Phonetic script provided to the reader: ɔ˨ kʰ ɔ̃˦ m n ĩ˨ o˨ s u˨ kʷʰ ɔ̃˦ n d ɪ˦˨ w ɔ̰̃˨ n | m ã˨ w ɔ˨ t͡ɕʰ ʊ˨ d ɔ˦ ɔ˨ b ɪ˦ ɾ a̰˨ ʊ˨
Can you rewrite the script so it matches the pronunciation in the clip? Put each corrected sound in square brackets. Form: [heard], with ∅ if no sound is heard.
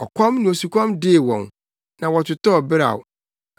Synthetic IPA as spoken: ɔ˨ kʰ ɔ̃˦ m n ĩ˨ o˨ s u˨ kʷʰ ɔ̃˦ [m] d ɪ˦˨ w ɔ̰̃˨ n | [n] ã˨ w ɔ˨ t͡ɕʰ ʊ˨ [t] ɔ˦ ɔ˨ b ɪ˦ ɾ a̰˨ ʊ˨